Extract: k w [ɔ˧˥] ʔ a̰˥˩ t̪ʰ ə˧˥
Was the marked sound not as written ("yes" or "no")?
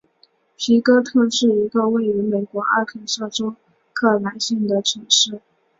no